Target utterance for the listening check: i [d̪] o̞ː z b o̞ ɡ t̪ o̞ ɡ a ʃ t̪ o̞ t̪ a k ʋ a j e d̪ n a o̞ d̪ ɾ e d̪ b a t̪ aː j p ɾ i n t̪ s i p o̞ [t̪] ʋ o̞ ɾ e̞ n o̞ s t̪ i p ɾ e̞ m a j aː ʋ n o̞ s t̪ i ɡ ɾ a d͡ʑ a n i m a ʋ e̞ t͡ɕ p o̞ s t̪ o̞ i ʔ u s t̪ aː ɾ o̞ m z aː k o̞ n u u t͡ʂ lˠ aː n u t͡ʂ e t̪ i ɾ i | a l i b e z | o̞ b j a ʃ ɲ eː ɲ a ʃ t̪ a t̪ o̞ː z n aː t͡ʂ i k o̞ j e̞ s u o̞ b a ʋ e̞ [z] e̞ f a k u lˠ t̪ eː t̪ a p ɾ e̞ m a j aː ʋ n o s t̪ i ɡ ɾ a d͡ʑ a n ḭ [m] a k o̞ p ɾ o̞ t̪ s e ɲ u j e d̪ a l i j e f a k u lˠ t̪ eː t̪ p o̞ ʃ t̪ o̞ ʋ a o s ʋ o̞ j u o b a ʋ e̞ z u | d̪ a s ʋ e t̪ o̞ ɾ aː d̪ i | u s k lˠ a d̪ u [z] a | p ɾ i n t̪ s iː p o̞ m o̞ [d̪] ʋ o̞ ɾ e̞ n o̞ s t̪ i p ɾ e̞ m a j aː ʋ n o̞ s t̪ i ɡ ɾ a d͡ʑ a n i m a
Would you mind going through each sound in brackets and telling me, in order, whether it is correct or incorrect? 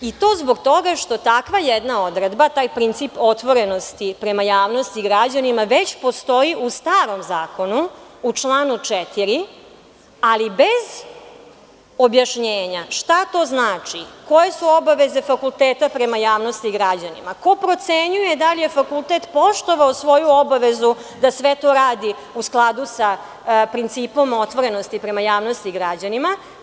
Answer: incorrect: t̪, correct, correct, correct, incorrect: s, incorrect: t̪

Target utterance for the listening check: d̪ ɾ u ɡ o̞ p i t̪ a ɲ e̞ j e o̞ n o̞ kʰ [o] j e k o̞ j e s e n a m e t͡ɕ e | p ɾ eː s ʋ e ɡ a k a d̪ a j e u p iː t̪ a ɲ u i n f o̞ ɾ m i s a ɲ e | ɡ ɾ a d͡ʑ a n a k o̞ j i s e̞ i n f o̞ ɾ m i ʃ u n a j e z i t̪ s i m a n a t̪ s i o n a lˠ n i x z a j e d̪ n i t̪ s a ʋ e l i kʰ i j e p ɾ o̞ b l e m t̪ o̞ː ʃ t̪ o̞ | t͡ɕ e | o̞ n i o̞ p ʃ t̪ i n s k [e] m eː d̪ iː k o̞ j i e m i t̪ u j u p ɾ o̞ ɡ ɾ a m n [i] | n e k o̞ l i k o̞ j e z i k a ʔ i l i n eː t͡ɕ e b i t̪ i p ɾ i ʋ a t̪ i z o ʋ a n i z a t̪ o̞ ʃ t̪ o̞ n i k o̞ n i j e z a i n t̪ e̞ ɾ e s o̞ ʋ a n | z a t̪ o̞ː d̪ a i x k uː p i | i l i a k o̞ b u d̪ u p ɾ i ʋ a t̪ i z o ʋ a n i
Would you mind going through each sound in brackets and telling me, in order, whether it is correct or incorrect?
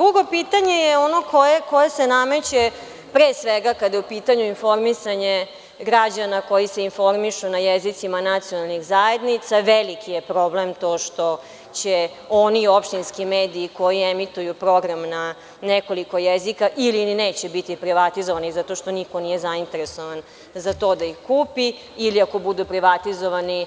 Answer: correct, incorrect: i, incorrect: a

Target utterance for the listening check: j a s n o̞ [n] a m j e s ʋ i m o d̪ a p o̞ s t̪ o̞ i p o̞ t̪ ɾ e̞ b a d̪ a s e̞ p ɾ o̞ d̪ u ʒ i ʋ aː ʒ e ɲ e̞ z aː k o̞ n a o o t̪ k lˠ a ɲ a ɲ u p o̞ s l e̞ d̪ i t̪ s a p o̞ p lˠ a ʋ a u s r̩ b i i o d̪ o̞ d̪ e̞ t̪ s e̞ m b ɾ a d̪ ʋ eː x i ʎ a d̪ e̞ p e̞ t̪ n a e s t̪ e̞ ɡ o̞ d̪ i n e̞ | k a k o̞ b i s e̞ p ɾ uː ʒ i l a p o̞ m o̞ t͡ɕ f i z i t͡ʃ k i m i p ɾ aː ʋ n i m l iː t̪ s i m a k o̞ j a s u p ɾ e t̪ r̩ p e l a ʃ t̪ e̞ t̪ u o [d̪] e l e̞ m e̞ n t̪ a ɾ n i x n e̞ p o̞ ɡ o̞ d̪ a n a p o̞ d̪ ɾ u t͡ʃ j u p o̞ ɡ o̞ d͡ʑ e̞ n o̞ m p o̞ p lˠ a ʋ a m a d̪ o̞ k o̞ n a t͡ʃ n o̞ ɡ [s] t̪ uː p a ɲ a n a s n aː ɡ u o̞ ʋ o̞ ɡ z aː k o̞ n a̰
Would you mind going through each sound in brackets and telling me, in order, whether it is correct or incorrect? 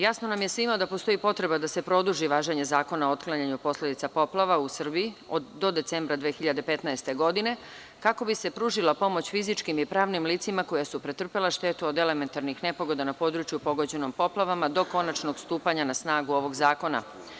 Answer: correct, correct, correct

